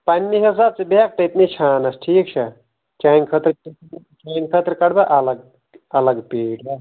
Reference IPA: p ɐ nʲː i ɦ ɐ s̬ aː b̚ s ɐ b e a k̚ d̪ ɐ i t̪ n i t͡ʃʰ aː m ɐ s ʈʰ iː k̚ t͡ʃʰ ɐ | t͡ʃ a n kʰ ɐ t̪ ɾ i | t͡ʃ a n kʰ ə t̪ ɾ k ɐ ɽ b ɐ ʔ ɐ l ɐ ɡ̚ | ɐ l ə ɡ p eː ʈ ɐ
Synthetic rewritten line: p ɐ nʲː i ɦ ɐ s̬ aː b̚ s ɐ b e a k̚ t̪ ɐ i t̪ n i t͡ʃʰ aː n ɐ s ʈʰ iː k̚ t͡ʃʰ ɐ | t͡ʃ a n kʰ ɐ t̪ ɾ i | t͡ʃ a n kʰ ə t̪ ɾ k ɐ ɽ b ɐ ʔ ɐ l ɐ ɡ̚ | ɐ l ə ɡ p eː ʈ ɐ